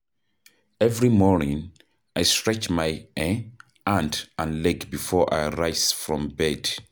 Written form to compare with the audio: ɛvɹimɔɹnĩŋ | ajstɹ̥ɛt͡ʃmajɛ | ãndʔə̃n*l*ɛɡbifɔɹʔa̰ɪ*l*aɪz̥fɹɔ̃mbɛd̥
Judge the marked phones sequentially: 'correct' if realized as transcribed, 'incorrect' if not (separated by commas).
correct, incorrect